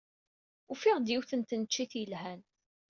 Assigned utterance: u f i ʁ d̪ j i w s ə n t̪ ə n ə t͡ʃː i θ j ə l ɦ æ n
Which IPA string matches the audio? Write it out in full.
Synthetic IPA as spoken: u f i ʁ d̪ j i w θ ə n t̪ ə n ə t͡ʃː i θ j ə l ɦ æ n